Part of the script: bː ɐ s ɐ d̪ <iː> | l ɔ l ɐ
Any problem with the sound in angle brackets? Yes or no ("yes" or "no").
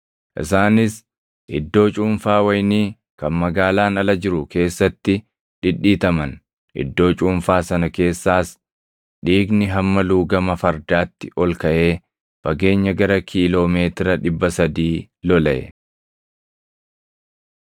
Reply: no